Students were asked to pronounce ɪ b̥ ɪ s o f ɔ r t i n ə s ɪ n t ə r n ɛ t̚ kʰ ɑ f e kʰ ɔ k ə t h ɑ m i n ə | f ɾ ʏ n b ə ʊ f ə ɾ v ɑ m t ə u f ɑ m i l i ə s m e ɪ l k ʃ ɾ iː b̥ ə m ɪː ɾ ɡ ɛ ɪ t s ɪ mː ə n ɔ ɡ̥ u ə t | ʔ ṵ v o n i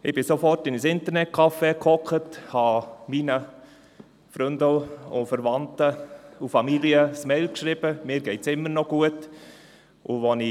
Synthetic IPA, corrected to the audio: ɪ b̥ ɪ s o f ɔ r t ɪ n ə s ɪ n t ə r n ɛ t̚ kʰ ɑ f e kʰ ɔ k ə t h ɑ m i n ə | f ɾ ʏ n d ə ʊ f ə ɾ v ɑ n t ə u f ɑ m i l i ə s m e ɪ l k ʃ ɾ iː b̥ ə m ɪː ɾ ɡ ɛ ɪ t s ɪ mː ə n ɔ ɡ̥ u ə t | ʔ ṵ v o n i